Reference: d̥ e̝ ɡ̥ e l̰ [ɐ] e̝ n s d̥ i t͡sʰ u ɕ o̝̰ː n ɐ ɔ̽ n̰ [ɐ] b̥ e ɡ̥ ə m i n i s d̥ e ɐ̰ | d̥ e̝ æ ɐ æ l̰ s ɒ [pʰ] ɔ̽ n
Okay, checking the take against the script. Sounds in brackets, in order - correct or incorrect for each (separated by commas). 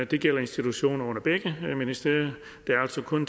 correct, correct, incorrect